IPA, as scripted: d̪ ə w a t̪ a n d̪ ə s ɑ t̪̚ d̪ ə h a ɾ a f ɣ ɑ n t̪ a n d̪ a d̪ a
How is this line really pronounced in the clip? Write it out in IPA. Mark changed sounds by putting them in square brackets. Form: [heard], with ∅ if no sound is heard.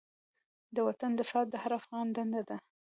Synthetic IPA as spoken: d̪ ə w a t̪ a n d̪ ə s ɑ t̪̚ d̪ ə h a ɾ a f ɣ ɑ n [d̪] a n d̪ a d̪ a